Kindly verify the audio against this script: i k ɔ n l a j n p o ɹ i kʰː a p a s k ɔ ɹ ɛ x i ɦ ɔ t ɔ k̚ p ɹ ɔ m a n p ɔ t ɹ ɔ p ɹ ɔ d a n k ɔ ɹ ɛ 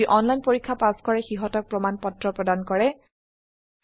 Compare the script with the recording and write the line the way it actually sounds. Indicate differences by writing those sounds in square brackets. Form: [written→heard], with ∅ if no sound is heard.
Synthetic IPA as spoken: i [k→ʔ] ɔ n l a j n p o ɹ i kʰː a p a s k ɔ ɹ ɛ x i ɦ ɔ t ɔ k̚ p ɹ ɔ m a n p ɔ t ɹ ɔ p ɹ ɔ d a n k ɔ ɹ ɛ